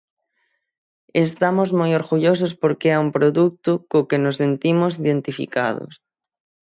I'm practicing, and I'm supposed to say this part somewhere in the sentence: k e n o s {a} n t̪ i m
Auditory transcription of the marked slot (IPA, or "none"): e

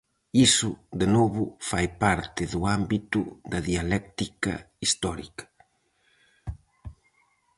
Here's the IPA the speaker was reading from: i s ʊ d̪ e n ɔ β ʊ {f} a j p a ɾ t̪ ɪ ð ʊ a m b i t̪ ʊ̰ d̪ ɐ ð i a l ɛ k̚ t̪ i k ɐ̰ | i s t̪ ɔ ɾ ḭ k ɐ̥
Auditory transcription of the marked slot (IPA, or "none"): f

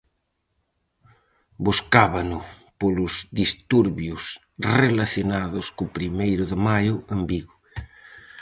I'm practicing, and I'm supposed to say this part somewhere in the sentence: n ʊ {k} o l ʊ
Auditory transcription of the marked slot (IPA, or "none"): p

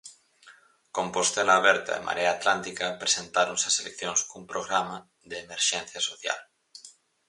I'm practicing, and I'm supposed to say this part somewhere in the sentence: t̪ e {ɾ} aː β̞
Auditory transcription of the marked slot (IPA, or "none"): l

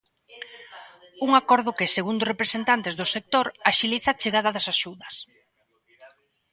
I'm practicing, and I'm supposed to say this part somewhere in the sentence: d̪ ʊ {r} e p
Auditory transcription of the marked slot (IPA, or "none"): r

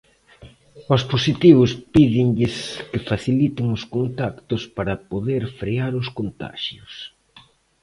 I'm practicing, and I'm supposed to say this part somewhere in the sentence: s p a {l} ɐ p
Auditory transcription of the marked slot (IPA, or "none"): ɾ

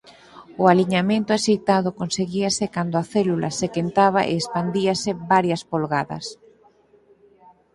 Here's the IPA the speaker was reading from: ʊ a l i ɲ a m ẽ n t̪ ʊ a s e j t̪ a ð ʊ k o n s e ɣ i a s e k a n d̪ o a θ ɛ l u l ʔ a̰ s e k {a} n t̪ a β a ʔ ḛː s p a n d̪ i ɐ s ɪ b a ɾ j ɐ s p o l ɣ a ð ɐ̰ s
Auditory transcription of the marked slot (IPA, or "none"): e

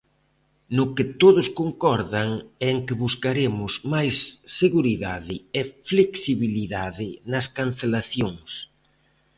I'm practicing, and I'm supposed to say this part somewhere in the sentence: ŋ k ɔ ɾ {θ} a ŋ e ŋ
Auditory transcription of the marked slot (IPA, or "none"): ð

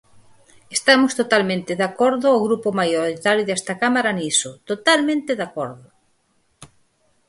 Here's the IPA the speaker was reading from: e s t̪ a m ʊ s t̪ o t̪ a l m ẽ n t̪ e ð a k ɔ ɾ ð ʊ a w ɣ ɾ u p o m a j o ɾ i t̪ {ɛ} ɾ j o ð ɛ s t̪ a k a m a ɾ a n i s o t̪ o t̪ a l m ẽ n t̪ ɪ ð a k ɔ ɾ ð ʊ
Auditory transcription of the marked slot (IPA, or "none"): a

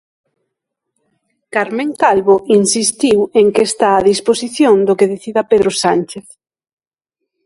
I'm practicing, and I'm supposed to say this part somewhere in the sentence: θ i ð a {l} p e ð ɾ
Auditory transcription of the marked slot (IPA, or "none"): none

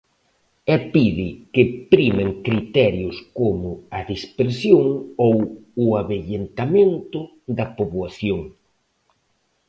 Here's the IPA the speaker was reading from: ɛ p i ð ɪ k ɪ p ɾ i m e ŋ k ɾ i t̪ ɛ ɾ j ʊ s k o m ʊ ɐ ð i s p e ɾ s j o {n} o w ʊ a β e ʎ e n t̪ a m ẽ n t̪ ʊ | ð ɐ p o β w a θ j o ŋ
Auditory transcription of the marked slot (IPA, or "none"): ŋ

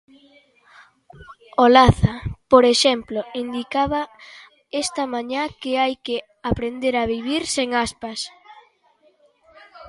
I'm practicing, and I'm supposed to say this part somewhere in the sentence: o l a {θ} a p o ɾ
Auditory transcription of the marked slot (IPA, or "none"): θ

